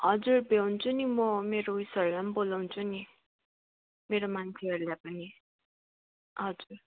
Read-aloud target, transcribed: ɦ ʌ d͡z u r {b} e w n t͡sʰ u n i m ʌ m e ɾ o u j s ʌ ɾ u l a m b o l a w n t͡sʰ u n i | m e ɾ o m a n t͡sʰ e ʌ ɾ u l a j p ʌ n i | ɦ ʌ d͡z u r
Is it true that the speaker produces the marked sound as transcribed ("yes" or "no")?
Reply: yes